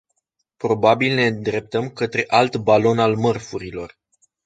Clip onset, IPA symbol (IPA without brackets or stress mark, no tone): p